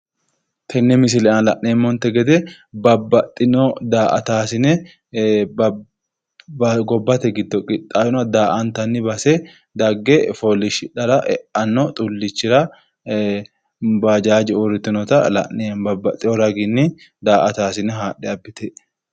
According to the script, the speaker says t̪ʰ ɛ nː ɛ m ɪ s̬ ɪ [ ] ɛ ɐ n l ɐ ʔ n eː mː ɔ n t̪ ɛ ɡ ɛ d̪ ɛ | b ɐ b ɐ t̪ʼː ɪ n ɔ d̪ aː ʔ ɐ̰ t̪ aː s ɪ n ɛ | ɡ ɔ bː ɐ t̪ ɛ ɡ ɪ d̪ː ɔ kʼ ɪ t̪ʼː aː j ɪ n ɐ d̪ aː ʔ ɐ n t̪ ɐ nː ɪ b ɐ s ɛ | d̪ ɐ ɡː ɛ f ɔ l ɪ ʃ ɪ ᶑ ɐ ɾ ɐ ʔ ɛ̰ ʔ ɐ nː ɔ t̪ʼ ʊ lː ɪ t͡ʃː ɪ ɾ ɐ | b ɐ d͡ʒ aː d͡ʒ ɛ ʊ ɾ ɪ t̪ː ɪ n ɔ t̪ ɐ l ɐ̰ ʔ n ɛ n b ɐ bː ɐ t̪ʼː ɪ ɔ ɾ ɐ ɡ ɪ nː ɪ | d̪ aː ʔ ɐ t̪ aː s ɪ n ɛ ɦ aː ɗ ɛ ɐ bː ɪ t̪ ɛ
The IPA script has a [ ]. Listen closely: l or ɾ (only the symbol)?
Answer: l